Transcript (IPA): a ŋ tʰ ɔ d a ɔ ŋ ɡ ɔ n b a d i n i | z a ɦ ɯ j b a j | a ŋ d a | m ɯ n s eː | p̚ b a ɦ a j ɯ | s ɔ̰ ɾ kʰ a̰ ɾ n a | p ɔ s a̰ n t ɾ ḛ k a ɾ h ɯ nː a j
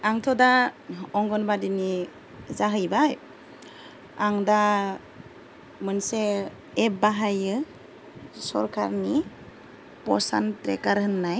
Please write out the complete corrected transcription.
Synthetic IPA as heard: a ŋ tʰ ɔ d a ɔ ŋ ɡ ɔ n b a d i n i | z a ɦ ɯ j b a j | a ŋ d a | m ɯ n s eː | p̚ b a ɦ a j ɯ | s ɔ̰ ɾ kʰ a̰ ɾ n i | p ɔ s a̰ n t ɾ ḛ k a ɾ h ɯ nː a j

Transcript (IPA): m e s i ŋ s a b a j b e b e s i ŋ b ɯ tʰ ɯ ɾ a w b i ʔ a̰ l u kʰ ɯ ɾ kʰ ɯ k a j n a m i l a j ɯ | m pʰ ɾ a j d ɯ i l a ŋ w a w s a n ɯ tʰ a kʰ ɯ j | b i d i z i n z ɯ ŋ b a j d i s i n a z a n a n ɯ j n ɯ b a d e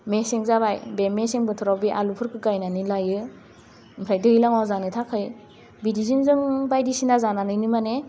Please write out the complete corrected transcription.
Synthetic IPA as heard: m e s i ŋ z a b a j b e m e s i ŋ b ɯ tʰ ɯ ɾ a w b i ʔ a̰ l u pʰ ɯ ɾ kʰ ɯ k a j n a n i l a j ɯ | m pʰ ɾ a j d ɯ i l a ŋ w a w z a n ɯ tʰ a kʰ ɯ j | b i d i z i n z ɯ ŋ b a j d i s i n a z a n a n ɯ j n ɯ m a n e

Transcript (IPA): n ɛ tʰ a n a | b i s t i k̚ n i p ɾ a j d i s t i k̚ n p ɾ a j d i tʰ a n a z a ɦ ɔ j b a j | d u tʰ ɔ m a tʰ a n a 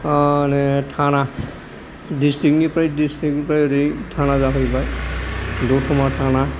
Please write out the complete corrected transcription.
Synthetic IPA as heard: n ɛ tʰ a n a | d i s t i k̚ n i p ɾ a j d i s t i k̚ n p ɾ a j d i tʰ a n a z a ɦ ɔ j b a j | d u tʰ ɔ m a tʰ a n a

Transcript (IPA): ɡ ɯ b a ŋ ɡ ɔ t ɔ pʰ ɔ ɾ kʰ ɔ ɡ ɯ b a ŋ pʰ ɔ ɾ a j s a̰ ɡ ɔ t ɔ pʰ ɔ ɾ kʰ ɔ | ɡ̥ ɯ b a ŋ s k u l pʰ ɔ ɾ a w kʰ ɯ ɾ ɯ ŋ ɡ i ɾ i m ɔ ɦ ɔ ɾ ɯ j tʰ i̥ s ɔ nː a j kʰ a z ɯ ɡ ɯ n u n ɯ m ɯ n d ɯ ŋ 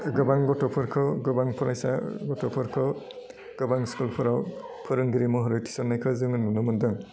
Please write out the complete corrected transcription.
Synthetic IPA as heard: ɡ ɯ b a ŋ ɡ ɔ t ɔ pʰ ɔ ɾ kʰ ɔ ɡ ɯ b a ŋ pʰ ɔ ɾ a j s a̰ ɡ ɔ t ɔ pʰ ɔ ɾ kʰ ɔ | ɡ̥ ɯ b a ŋ s k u l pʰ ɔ ɾ a w pʰ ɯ ɾ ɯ ŋ ɡ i ɾ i m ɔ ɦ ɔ ɾ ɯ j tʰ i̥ s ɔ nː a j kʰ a z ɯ ŋ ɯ n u n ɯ m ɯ n d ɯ ŋ

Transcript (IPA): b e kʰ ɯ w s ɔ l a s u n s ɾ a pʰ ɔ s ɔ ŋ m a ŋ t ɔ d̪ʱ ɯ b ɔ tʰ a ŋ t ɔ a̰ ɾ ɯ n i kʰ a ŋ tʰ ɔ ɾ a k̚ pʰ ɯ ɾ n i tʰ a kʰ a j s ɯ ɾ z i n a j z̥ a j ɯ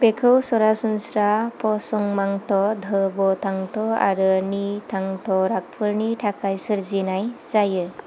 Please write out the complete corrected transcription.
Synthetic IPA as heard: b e kʰ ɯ w s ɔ ɾ a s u n s ɾ a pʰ ɔ s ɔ ŋ m a ŋ t ɔ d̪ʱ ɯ b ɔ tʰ a ŋ t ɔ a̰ ɾ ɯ n i tʰ a ŋ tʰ ɔ ɾ a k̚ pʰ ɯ ɾ n i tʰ a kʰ a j s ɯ ɾ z i n a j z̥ a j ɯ

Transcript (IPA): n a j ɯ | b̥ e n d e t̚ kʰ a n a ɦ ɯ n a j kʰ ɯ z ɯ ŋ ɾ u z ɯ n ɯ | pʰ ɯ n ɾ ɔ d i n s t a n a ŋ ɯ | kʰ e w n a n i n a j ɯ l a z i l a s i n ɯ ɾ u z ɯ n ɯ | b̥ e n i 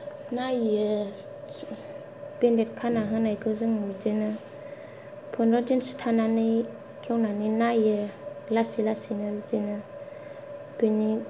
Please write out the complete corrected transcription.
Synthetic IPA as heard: n a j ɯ | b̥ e n d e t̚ kʰ a n a ɦ ɯ n a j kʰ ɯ z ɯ ŋ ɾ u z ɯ n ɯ | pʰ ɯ n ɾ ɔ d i n s tʰ a n a n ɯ | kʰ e w n a n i n a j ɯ l a s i l a s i n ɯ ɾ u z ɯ n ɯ | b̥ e n i

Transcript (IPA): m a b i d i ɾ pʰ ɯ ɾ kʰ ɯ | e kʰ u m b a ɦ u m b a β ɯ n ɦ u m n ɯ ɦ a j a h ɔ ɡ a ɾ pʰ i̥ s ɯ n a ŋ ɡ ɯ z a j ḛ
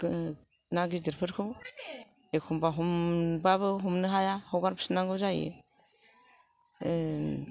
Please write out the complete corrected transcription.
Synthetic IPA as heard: n a ɡ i d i ɾ pʰ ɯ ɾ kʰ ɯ | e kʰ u m b a ɦ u m b a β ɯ ɦ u m n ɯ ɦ a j a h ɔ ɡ a ɾ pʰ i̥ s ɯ n a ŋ ɡ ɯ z a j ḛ

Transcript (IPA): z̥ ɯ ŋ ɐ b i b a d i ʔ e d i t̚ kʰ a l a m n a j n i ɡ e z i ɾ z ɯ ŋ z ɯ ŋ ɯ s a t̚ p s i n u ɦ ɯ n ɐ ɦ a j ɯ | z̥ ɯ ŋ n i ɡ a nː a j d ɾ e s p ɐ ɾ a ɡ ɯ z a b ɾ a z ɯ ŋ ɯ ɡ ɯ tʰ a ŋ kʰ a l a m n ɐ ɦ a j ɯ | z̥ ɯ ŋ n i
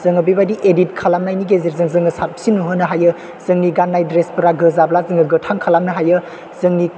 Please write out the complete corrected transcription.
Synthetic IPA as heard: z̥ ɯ ŋ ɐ b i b a d i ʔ e d i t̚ kʰ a l a m n a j n i ɡ e z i ɾ z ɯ ŋ z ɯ ŋ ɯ s a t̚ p s i n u ɦ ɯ n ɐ ɦ a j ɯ | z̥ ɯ ŋ n i ɡ a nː a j d ɾ e s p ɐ ɾ a ɡ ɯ z a b l a z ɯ ŋ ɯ ɡ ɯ tʰ a ŋ kʰ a l a m n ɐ ɦ a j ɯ | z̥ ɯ ŋ n i

